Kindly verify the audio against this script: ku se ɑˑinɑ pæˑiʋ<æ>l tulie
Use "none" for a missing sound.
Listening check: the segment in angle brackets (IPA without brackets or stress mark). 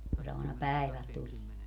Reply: æ